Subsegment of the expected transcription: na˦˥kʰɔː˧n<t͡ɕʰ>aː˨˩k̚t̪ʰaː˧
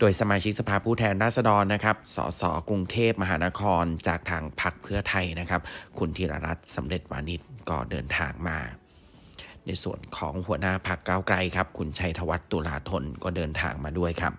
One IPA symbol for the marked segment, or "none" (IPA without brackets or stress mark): t͡ɕ